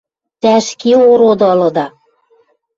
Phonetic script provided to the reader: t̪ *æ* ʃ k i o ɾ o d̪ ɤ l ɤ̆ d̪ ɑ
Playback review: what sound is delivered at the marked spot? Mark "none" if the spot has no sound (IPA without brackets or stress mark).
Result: æ